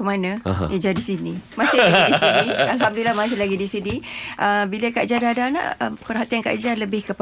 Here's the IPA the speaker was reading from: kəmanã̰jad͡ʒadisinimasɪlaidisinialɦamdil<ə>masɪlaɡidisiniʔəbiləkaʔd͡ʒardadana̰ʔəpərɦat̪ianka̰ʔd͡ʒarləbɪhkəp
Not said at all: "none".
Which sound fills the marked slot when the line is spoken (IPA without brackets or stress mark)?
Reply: a